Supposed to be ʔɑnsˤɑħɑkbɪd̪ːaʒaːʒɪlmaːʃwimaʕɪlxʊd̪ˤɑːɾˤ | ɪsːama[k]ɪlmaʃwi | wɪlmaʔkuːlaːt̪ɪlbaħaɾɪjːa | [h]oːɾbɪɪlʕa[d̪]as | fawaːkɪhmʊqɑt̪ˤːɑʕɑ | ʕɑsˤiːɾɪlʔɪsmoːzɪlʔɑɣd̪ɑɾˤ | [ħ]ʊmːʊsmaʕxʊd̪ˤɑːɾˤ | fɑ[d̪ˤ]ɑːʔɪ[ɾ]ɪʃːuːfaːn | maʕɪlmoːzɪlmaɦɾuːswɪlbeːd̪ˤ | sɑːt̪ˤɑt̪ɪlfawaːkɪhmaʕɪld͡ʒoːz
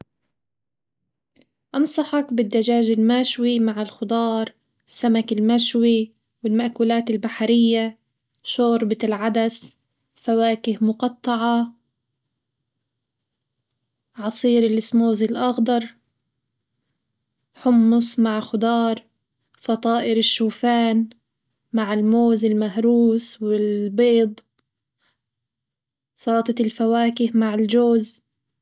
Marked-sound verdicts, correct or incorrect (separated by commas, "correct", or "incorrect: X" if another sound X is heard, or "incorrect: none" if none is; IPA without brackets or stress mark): correct, incorrect: ʃ, correct, correct, incorrect: t̪ˤ, correct